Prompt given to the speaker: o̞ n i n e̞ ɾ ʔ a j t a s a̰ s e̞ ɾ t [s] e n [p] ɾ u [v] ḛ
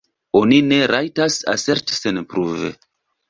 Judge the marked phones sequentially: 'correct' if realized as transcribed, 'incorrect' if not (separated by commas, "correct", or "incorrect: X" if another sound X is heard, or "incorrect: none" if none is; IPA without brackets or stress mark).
correct, correct, correct